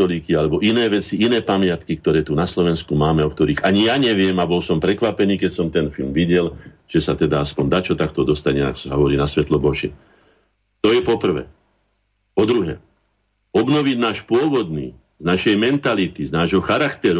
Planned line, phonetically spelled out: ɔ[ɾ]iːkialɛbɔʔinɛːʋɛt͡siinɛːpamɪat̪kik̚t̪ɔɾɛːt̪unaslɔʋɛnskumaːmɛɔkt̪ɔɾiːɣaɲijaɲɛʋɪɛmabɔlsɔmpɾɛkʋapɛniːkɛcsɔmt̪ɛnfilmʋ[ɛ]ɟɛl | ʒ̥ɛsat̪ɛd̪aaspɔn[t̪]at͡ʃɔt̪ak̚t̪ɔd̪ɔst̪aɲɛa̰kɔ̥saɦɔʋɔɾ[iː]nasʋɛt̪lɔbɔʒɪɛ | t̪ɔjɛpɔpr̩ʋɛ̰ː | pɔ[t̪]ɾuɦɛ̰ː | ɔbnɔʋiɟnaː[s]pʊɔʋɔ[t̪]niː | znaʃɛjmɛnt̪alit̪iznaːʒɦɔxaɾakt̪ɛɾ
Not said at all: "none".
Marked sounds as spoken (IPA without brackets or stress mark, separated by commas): l, i, d̪, iː, d̪, ʃ, d̪